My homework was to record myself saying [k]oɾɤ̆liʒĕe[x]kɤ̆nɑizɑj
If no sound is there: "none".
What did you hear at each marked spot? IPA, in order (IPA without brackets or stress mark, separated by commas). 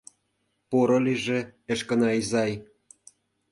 p, ʃ